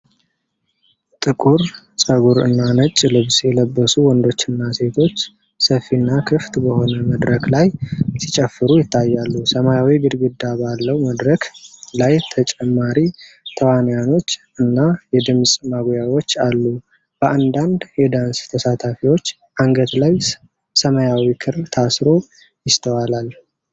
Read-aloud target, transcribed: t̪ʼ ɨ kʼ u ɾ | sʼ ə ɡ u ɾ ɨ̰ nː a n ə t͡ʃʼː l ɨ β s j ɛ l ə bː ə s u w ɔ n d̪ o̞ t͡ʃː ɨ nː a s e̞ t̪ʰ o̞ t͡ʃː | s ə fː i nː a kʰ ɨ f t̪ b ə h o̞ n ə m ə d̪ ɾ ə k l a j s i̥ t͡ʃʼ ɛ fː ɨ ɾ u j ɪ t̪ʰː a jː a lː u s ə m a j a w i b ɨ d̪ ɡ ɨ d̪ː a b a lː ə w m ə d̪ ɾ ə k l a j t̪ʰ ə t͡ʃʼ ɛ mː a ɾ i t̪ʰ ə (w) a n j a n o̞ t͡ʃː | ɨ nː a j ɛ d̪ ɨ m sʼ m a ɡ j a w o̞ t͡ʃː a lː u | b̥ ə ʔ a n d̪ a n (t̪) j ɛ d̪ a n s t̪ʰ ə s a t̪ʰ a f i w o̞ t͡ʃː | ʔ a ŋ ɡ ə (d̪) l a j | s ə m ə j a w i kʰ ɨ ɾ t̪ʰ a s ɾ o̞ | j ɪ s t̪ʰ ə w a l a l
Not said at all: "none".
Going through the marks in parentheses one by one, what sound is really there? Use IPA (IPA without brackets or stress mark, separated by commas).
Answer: w, d̪, t̪